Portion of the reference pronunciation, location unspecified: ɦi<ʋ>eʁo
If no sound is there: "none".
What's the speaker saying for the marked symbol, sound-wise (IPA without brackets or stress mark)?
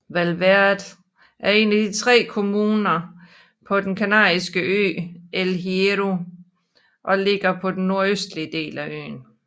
none